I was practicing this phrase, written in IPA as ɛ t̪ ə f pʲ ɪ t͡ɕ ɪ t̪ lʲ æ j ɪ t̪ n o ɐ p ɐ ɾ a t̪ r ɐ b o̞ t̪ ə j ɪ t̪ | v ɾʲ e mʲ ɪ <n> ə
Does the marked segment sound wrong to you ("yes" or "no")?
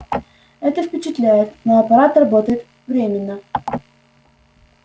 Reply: yes